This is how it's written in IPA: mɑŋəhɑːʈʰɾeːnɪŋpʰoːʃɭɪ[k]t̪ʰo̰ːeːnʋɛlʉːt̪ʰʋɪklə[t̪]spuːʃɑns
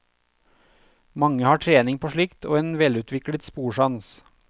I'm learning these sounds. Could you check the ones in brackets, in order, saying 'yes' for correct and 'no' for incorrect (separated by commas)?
yes, yes